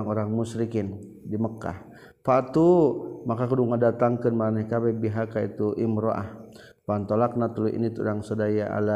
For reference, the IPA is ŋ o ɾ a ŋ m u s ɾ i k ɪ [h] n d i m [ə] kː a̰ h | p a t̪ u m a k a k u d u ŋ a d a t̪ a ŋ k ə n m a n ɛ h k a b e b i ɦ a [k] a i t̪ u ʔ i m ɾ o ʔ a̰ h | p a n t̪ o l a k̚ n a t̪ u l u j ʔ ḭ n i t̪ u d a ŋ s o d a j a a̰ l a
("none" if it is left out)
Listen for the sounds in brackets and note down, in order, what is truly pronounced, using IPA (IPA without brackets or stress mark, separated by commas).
none, ə, k